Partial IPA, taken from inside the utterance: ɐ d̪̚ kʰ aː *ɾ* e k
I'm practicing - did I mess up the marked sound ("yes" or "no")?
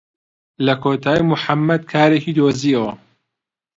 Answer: no